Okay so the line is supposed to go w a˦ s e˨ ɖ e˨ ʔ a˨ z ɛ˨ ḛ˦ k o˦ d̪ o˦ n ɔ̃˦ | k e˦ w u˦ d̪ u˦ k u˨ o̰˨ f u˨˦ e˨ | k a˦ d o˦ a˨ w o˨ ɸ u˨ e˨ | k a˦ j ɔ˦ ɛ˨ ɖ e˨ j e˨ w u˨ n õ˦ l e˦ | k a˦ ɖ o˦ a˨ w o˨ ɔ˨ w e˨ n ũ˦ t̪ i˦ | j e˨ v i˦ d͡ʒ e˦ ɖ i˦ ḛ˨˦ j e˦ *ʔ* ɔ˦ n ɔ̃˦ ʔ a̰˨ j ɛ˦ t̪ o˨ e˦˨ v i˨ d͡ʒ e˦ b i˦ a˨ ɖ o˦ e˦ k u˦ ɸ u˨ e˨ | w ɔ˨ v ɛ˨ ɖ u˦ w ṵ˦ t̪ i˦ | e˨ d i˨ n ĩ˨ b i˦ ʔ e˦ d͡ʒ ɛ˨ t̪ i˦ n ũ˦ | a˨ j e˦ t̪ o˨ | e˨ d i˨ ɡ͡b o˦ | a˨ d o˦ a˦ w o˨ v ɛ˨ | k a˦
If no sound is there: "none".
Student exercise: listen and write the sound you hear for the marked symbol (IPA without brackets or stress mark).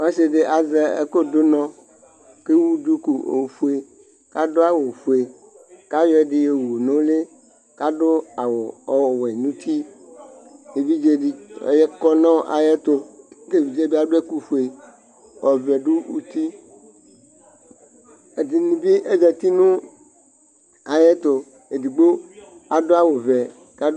k